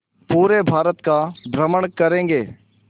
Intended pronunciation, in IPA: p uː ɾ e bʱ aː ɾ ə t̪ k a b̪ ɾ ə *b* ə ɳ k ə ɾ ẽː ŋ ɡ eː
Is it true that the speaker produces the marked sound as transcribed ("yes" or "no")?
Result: no